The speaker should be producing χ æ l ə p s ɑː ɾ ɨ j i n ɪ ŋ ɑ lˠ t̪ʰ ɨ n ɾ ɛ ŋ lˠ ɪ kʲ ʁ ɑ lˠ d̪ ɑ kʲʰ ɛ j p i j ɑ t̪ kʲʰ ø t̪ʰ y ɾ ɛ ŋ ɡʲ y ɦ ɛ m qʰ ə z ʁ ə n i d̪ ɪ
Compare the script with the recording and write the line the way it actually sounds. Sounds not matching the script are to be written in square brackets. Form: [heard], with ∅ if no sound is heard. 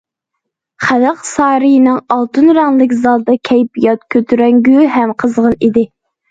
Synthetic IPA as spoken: χ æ l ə [q] s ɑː ɾ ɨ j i n ɪ ŋ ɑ lˠ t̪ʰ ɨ n ɾ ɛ ŋ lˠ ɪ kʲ [z] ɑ lˠ d̪ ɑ kʲʰ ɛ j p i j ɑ t̪ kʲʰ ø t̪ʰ y ɾ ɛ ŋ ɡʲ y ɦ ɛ m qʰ ə z ʁ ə n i d̪ ɪ